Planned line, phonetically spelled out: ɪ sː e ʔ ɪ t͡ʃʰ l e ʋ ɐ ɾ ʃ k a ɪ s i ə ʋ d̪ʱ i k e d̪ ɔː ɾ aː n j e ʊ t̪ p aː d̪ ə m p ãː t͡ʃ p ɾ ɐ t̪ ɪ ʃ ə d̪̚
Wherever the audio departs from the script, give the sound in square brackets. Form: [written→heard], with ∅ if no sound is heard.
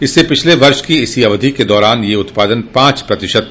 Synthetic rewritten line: ɪ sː e [ʔ→p] ɪ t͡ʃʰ l e ʋ ɐ ɾ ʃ k [a→i] ɪ s i [ə→ɐ] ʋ d̪ʱ i k e d̪ ɔː ɾ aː n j e ʊ t̪ p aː d̪ ə [m→n] p ãː t͡ʃ p ɾ ɐ t̪ ɪ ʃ ə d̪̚

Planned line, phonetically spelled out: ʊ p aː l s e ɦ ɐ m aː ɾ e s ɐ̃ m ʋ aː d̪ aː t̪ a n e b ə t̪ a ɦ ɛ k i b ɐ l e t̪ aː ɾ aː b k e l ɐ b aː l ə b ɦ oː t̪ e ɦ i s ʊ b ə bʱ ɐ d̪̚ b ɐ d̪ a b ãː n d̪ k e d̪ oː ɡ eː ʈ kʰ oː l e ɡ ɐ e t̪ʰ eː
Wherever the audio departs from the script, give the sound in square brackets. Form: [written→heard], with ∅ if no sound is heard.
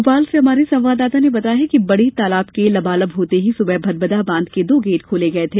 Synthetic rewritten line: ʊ p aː l s e ɦ ɐ m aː ɾ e s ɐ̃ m ʋ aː d̪ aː t̪ a n e b [ə→ɐ] t̪ a ɦ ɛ k i b ɐ [l→ɽ] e t̪ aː [ɾ→l] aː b k e l ɐ b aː l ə b ɦ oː t̪ e ɦ i s ʊ b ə bʱ ɐ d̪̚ b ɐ d̪ a b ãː n d̪ k e d̪ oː ɡ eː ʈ kʰ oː l e ɡ ɐ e t̪ʰ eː

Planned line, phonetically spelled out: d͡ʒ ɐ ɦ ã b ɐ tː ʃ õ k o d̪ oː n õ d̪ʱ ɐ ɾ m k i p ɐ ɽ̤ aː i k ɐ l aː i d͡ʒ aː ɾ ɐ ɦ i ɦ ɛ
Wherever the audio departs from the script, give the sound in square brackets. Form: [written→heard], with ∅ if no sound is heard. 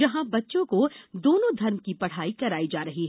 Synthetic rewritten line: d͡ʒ ɐ ɦ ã b ɐ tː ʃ õ k o d̪ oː n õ d̪ʱ ɐ ɾ m k i p ɐ ɽ̤ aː i k ɐ [l→ɾ] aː i d͡ʒ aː ɾ ɐ ɦ i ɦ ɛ

